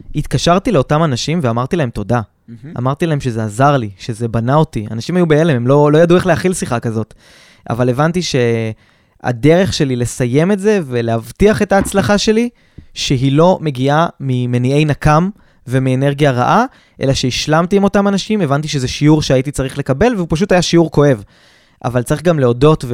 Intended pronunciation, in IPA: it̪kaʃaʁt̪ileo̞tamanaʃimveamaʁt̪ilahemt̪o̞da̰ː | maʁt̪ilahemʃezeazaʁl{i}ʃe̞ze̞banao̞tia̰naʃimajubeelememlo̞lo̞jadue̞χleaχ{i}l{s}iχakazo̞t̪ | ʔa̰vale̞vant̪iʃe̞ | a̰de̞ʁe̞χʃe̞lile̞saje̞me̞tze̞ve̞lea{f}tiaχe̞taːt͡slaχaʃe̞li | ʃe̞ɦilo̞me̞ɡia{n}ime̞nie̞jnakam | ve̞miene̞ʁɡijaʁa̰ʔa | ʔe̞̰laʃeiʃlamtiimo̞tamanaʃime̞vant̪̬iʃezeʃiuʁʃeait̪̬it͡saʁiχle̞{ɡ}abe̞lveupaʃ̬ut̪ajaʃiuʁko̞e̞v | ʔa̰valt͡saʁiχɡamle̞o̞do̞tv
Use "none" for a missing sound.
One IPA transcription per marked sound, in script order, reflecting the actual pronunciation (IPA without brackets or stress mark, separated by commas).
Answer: i, i, s, v, m, k